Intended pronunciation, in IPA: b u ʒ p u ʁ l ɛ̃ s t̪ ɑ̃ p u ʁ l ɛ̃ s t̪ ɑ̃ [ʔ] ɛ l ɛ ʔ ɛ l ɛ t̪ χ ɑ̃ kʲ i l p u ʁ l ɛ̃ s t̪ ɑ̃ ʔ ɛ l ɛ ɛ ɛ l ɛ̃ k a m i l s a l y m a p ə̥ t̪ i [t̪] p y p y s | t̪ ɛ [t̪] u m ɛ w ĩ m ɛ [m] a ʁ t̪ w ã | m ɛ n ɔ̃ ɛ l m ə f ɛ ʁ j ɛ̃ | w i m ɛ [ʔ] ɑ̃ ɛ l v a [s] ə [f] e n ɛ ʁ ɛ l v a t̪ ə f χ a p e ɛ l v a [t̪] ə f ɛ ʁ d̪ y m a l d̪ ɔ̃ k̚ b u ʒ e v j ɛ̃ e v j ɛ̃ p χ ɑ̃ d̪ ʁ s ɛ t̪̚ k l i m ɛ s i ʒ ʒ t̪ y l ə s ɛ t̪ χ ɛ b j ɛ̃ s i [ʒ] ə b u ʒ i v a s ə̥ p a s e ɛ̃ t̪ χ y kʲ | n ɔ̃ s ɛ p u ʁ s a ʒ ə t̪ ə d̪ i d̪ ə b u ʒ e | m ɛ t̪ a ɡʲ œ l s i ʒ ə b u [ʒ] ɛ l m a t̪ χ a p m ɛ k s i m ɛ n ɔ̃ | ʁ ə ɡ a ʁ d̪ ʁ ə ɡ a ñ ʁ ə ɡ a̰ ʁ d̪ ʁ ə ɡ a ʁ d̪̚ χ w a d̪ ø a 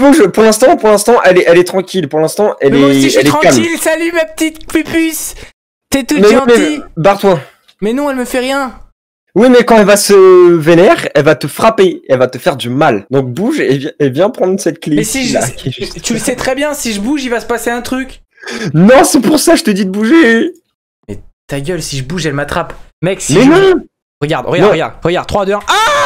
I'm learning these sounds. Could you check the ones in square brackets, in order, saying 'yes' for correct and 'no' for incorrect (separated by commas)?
yes, yes, yes, no, no, yes, no, yes, yes, yes